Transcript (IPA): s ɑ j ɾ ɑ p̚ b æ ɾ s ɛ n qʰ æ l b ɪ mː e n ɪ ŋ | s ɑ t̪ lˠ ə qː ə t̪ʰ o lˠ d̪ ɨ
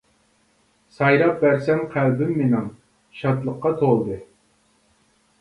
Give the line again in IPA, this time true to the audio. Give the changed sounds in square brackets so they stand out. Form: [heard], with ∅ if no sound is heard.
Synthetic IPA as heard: s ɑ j ɾ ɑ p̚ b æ ɾ s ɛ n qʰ æ l b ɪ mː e n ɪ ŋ | [ʃ] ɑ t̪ lˠ ə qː [ɑ] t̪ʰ o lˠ d̪ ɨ